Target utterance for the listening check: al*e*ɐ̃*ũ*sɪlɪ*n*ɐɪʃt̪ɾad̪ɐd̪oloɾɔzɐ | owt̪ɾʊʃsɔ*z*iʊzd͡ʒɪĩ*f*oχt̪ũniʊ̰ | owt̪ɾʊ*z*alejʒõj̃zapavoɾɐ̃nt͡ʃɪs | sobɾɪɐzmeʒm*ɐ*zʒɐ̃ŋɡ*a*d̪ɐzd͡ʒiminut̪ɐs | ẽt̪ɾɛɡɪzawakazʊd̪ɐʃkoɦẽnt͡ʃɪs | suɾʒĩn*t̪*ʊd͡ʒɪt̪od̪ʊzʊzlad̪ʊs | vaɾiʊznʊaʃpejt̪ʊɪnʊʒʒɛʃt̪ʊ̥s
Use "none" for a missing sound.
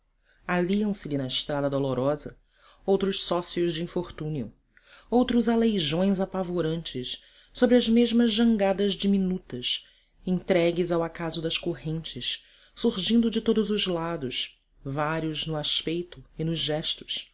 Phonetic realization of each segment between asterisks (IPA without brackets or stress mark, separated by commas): i, w̃, n, s, f, z, ɐ, a, d̪